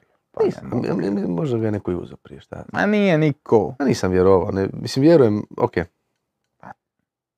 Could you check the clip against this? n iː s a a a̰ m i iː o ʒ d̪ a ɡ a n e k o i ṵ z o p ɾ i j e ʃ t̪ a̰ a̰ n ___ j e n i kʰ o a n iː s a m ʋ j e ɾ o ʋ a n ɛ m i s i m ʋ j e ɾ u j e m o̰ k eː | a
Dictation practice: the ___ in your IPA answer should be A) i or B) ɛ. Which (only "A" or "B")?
A